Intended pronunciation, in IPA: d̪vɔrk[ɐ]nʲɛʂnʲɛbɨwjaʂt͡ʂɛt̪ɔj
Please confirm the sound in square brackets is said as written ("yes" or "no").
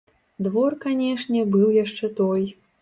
no